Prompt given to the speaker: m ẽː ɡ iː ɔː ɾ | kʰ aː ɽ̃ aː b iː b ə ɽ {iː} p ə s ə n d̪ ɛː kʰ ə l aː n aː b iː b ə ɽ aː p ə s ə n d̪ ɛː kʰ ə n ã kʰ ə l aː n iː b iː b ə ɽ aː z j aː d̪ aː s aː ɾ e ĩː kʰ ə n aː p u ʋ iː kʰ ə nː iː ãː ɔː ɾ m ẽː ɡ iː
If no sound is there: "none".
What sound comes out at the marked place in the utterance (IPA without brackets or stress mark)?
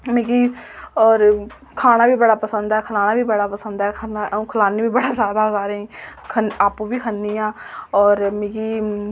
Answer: aː